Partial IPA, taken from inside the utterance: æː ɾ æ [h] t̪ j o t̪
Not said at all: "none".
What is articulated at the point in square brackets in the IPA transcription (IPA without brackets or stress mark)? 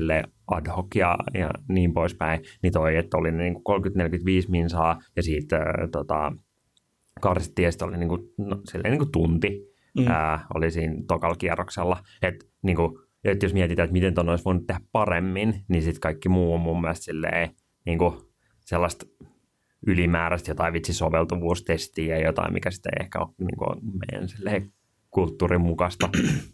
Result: s